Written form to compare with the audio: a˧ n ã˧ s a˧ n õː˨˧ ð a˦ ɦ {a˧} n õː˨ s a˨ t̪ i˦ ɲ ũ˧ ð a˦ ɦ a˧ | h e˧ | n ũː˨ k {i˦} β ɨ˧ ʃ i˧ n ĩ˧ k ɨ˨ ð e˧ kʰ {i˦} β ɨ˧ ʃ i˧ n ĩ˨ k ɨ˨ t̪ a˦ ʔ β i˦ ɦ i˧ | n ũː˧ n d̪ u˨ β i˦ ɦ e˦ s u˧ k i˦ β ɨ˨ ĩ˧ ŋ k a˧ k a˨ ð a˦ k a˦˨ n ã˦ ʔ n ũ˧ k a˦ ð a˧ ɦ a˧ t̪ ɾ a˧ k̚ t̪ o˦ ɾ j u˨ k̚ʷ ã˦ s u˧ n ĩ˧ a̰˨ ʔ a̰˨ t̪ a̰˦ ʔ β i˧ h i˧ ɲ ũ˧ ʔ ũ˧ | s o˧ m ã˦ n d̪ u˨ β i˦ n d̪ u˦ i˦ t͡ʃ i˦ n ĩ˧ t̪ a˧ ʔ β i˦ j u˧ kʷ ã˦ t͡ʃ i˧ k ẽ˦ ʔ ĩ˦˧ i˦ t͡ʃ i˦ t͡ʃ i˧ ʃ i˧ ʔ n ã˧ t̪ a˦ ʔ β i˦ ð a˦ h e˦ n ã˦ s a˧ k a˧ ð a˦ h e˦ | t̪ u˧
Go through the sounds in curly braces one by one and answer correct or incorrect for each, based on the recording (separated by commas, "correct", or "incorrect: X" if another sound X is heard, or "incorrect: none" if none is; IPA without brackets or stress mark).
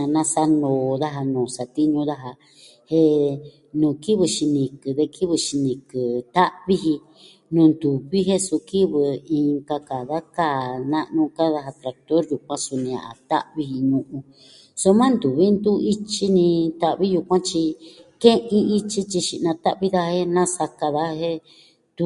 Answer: correct, correct, correct